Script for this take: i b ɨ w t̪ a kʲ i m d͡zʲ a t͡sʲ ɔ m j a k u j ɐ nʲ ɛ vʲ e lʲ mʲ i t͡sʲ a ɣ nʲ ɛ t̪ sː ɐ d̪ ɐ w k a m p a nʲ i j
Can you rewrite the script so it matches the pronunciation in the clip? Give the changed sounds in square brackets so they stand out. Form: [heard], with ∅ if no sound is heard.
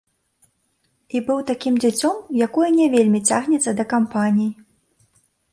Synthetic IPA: i b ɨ w t̪ a kʲ i m d͡zʲ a t͡sʲ ɔ m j a k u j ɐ nʲ ɛ vʲ e lʲ mʲ i t͡sʲ a ɣ nʲ ɛ t̪ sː ɐ d̪ ɐ [∅] k a m p a nʲ i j